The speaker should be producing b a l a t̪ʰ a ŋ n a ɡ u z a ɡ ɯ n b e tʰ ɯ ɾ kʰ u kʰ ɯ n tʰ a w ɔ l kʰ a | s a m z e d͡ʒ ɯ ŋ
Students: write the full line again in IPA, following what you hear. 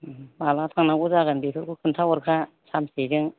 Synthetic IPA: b a l a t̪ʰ a ŋ n a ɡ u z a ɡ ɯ n b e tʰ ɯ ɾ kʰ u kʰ ɯ n tʰ a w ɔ ɾ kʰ a | s a m s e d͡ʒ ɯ ŋ